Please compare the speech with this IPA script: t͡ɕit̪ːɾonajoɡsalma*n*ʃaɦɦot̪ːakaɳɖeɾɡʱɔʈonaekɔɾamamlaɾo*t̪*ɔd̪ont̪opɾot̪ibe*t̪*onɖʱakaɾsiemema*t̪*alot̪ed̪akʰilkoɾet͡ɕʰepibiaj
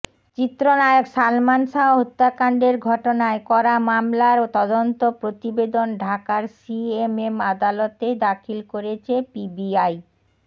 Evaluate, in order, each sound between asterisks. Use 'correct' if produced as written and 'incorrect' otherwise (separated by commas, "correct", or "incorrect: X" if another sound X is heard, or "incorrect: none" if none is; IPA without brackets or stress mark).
correct, correct, incorrect: d̪, incorrect: d̪